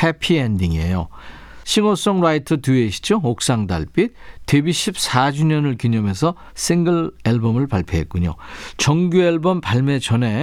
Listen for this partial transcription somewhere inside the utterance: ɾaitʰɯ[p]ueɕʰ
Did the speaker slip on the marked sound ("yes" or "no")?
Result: yes